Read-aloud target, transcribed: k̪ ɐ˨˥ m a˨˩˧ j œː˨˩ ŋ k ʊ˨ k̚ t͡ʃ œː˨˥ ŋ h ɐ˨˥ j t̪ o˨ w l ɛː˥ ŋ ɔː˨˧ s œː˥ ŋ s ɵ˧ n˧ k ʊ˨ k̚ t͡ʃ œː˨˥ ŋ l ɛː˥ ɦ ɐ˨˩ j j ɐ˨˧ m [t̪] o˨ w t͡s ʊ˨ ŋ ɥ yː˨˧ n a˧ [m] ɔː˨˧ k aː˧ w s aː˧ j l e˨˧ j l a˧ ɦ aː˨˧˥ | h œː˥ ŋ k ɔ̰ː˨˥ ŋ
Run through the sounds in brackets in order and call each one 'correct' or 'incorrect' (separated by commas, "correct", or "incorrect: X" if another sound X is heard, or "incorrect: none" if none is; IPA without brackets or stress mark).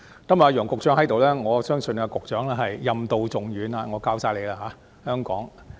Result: correct, incorrect: ŋ